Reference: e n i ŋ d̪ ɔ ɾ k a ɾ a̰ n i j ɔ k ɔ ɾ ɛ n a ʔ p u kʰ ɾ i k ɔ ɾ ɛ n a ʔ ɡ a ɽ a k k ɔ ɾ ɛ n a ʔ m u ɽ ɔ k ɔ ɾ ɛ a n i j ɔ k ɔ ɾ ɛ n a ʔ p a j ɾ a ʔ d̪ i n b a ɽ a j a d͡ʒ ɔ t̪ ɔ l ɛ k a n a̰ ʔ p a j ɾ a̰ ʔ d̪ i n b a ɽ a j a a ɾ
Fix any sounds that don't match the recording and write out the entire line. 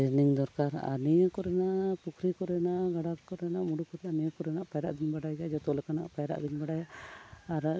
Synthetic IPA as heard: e n i ŋ d̪ ɔ ɾ k a ɾ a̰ n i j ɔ k ɔ ɾ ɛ n a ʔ p u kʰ ɾ i k ɔ ɾ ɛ n a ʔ ɡ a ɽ a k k ɔ ɾ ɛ n a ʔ m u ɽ u k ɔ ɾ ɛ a n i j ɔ k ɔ ɾ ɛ n a ʔ p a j ɾ a ʔ d̪ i n b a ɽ a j a d͡ʒ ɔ t̪ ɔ l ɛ k a n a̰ ʔ p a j ɾ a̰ ʔ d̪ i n b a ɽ a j a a ɾ